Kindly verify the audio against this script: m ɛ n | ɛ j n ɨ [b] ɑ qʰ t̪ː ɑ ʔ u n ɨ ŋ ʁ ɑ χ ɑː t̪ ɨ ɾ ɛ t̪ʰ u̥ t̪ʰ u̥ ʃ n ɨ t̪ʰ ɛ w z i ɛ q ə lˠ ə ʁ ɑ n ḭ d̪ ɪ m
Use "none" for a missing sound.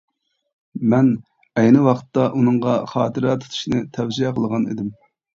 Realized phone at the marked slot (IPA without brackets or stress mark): w